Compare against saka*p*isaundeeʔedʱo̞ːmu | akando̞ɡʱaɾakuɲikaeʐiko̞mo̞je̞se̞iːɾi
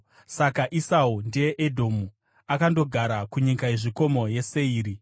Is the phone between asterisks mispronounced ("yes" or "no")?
yes